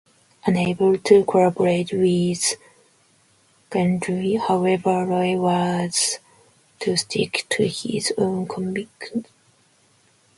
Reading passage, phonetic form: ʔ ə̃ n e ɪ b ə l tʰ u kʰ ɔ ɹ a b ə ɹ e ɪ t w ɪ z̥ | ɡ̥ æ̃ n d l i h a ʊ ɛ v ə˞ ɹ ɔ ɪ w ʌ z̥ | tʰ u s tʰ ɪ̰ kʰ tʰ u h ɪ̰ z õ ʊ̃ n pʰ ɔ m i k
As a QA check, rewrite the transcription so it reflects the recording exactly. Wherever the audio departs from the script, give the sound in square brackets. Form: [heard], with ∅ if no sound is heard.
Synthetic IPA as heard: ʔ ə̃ n e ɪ b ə l tʰ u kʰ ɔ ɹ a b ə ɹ e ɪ t w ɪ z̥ | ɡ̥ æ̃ n d [ɹ] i h a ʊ ɛ v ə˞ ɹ ɔ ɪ w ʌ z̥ | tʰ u s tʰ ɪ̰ [k] tʰ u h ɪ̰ z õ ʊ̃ n [kʰ] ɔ m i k